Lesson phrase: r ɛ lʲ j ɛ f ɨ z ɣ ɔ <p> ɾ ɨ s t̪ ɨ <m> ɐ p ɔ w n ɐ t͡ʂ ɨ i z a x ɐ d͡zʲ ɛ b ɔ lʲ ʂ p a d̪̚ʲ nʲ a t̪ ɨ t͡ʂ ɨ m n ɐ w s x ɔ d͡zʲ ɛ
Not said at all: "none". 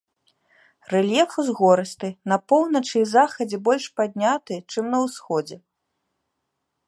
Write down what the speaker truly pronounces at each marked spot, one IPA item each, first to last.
none, n

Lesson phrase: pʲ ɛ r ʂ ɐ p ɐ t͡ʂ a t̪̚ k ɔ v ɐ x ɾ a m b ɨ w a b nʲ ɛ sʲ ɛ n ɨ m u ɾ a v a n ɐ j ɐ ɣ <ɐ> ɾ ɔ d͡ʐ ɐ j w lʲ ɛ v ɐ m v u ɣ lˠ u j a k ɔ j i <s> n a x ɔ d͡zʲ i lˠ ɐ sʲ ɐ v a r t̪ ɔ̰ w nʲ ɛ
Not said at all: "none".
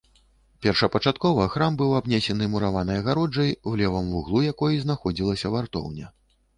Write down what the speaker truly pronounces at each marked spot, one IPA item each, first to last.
a, z

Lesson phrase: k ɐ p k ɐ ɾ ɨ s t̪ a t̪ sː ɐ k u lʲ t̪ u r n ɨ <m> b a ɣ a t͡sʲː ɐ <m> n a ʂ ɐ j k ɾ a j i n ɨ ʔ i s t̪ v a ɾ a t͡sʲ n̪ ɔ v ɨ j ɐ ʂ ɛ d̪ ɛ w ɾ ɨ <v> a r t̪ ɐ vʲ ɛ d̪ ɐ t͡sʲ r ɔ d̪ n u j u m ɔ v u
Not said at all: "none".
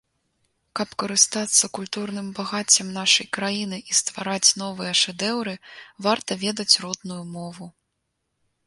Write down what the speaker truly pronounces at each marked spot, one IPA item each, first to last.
m, m, v

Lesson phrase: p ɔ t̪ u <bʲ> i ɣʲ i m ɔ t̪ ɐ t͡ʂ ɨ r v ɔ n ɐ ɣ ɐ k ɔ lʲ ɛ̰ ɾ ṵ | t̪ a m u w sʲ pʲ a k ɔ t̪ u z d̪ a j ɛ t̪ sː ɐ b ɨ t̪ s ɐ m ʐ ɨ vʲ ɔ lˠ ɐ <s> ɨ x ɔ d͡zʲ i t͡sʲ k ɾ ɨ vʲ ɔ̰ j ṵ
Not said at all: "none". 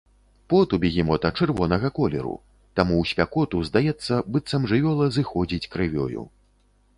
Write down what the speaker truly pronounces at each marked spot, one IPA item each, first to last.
bʲ, z

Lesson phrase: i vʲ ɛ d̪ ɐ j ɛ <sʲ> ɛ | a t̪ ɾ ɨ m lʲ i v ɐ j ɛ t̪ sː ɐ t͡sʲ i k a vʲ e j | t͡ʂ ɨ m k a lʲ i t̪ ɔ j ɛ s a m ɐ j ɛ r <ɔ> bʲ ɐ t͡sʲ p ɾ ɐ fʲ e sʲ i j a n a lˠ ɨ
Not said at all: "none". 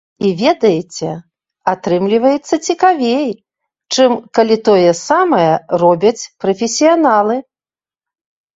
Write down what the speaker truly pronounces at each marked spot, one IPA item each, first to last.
t͡sʲ, ɔ

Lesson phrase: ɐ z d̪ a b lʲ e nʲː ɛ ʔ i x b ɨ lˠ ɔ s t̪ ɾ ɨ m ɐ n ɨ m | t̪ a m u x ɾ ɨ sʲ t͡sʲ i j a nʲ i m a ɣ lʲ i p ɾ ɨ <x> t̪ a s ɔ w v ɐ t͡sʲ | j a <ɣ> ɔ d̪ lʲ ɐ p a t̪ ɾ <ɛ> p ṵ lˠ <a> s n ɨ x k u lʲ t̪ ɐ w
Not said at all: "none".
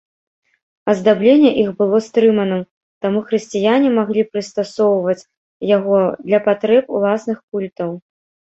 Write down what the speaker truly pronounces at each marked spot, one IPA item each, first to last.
s, ɣ, ɛ, a

